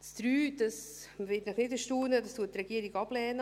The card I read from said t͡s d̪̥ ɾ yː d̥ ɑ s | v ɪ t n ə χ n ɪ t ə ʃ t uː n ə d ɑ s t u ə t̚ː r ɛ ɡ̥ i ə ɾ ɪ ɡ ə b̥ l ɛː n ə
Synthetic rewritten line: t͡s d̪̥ ɾ yː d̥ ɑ s | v ɪ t n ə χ n ɪ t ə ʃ t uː n ə d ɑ s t u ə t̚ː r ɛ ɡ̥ i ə ɾ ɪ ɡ ɑ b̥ l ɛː n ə